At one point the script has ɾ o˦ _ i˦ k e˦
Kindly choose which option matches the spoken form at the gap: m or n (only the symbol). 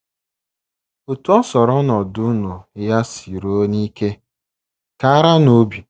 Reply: n